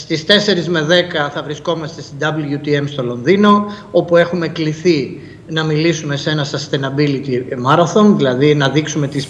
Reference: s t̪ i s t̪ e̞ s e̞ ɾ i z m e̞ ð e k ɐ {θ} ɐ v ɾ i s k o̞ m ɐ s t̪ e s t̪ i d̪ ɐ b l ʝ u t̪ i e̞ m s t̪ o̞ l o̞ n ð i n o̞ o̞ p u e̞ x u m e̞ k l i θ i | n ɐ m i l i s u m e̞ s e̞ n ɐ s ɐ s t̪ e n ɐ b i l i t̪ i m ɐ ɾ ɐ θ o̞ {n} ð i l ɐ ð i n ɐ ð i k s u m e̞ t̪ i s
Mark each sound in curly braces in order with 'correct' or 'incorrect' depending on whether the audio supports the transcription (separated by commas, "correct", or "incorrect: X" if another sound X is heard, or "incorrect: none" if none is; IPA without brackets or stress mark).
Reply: correct, correct